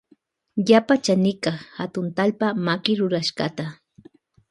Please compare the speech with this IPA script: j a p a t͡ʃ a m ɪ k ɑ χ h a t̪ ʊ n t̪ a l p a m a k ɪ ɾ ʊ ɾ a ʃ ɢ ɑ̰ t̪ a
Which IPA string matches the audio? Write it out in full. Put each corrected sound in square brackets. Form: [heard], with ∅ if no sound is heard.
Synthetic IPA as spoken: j a p a t͡ʃ a [n] ɪ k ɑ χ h a t̪ ʊ n t̪ a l p a m a k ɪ ɾ ʊ ɾ a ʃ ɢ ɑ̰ t̪ a